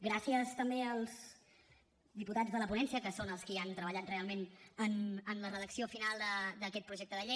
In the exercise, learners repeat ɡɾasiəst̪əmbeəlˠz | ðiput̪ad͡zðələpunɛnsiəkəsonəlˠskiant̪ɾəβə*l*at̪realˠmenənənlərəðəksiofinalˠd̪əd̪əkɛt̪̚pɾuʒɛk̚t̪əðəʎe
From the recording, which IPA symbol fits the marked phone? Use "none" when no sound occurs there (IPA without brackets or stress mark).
ʎ